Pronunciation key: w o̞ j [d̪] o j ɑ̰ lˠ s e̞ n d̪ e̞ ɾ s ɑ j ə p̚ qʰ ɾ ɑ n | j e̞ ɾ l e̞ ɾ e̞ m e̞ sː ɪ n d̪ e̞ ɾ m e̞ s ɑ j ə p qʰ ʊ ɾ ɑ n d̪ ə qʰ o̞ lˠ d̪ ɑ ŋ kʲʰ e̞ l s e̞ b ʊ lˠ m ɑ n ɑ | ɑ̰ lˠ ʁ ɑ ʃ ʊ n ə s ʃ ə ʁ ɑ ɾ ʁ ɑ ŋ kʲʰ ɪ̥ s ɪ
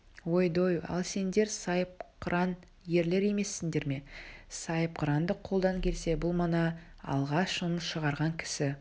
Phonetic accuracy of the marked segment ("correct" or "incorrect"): correct